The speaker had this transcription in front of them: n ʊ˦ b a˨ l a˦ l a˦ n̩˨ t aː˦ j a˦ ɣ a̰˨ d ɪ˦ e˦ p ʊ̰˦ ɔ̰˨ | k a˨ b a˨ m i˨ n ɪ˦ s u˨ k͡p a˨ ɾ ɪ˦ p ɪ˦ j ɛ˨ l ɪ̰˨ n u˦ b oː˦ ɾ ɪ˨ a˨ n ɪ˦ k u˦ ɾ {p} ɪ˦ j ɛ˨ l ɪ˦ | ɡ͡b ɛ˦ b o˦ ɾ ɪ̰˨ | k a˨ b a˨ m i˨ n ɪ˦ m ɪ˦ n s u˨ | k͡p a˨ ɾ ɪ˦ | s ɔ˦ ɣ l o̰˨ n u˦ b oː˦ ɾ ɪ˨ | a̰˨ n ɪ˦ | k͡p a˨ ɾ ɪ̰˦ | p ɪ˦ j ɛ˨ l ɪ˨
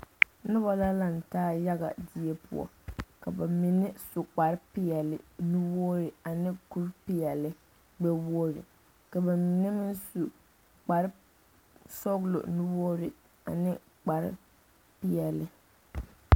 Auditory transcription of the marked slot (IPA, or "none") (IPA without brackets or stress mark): p